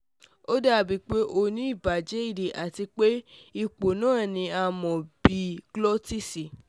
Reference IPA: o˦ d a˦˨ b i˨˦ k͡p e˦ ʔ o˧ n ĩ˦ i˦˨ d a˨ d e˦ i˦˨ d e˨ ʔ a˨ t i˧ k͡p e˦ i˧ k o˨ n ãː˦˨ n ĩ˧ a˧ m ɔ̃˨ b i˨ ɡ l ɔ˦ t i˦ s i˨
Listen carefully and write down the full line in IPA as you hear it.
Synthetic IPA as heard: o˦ d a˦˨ b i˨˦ k͡p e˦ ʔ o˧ n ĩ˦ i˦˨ b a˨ d͡ʒ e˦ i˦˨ d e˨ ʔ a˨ t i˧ k͡p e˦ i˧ k͡p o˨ n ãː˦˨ n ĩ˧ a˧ m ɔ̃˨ b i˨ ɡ l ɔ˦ t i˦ s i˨

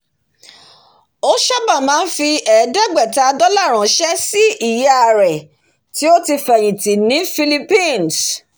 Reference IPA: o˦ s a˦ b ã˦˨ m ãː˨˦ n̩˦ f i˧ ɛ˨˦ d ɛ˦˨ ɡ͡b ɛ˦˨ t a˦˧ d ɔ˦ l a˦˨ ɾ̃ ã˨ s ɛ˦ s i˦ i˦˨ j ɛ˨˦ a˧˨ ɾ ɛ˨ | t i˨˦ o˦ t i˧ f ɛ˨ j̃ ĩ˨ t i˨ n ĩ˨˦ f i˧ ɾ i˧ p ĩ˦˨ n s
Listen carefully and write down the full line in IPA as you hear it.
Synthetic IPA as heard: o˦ ʃ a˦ b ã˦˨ m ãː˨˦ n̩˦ f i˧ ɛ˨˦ d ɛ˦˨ ɡ͡b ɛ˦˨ t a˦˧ d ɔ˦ l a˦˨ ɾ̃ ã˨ ʃ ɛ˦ s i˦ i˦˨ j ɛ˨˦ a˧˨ ɾ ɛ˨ | t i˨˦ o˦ t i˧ f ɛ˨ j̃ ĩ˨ t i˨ n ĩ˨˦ f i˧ l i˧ p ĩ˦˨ n s

